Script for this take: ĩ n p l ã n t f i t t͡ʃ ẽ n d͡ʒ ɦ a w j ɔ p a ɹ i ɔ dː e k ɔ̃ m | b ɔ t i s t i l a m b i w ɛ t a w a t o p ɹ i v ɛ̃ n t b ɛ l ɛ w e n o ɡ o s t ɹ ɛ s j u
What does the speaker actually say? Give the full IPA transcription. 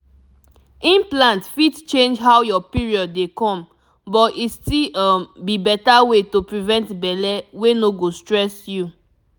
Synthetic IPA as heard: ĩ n p l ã n t f i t t͡ʃ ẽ n d͡ʒ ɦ a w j ɔ p i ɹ i ɔ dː e k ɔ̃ m | b ɔ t i s t i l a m b i b ɛ t a w e t o p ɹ i v ɛ̃ n t b ɛ l ɛ w e n o ɡ o s t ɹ ɛ s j u

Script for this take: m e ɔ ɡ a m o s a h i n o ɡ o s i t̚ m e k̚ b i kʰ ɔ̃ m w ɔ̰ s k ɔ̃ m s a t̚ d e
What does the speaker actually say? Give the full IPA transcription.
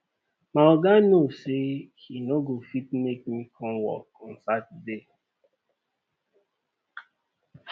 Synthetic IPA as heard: m a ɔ ɡ a n o s e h i n o ɡ o f i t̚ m e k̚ m i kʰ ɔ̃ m w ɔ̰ k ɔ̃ n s a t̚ d e

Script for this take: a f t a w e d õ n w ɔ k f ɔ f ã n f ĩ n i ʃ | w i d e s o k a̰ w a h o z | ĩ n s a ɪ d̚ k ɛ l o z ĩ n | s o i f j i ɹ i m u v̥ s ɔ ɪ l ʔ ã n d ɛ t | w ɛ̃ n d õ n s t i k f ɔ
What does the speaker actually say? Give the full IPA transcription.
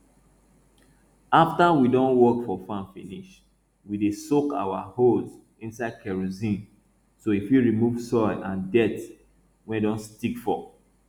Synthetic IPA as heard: a f t a w i d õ n w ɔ k f ɔ f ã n f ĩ n i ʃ | w i d e s o k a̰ w a h o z | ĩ n s a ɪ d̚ k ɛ ɹ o z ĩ n | s o i f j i ɹ i m u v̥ s ɔ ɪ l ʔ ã n d ɛ t | w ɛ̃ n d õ n s t i k f ɔ

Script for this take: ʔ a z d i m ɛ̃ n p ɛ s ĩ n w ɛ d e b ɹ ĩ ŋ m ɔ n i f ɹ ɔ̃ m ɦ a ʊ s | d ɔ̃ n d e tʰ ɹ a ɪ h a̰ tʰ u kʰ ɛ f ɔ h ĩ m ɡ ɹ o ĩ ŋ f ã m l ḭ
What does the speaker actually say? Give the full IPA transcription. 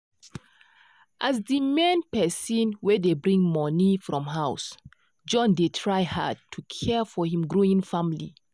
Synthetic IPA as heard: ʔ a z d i m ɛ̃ n p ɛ s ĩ n w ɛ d e b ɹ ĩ ŋ m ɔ n i f ɹ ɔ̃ m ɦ a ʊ s | d͡ʒ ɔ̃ n d e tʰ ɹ a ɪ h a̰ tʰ u kʰ ɛ f ɔ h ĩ m ɡ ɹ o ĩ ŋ f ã m l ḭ

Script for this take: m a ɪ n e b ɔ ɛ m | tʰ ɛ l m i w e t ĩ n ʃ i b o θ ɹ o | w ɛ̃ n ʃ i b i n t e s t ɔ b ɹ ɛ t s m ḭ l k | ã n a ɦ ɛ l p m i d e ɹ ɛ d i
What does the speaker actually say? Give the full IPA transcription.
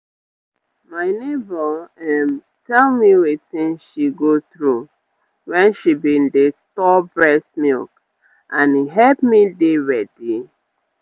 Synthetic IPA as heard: m a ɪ n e b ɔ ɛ m | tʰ ɛ l m i w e t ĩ n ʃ i ɡ o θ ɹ u | w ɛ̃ n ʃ i b i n d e s t ɔ b ɹ ɛ s m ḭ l k | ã n i ɦ ɛ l p m i d e ɹ ɛ d i

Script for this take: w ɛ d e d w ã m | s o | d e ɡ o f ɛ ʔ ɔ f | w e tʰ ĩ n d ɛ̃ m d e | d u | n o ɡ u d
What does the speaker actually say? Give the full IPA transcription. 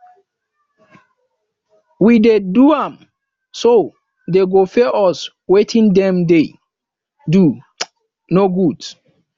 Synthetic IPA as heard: w i d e d u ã m | s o | d e ɡ o f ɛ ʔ ɔ s | w e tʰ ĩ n d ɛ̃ m d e | d u | n o ɡ u d

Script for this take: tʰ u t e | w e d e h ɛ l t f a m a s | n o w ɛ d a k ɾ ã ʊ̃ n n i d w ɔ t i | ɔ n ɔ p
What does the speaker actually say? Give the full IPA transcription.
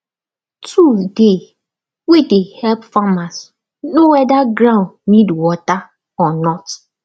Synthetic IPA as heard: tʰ u d e | w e d e h ɛ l p f a m a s | n o w ɛ d a ɡ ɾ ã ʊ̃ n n i d w ɔ t a | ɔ n ɔ t

